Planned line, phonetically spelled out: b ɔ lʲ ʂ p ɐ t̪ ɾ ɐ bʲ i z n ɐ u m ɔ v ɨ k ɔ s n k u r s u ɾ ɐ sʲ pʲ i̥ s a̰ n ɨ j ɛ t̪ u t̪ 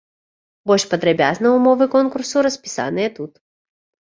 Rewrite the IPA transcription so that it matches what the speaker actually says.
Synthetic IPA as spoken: b ɔ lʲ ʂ p ɐ d̪ ɾ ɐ bʲ a z n ɐ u m ɔ v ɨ k ɔ n k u r s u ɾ ɐ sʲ pʲ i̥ s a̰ n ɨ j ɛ t̪ u t̪